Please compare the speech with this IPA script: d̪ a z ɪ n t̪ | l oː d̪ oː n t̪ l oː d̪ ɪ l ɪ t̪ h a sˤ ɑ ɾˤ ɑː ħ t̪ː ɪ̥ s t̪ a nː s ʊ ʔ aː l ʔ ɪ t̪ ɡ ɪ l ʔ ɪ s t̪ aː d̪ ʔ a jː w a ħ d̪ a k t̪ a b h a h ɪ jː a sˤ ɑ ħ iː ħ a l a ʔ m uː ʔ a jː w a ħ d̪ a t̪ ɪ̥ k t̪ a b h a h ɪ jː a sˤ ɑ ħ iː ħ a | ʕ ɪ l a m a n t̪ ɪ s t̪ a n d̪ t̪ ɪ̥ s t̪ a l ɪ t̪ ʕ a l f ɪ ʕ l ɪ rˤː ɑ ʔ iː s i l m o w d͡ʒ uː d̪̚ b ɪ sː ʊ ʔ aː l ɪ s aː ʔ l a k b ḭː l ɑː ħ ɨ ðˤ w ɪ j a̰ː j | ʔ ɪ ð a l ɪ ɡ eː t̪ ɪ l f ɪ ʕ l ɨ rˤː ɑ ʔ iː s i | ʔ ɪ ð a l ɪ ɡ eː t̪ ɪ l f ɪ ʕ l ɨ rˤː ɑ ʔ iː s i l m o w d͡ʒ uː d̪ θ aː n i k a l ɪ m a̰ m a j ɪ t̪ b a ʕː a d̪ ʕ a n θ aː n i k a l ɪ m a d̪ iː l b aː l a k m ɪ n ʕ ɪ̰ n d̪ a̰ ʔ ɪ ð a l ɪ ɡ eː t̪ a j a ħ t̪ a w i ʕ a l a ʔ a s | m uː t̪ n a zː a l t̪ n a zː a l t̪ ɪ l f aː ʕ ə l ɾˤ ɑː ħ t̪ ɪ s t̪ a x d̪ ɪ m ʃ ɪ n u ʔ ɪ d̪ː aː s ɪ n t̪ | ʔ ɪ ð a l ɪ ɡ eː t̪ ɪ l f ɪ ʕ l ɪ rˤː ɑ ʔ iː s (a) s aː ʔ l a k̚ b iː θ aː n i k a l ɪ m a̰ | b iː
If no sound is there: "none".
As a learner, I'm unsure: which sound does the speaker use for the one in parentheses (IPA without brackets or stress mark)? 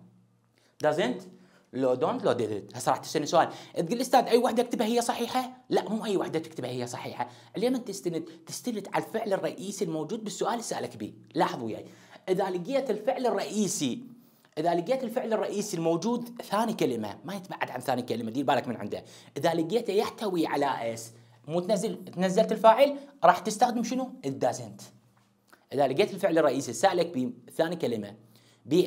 i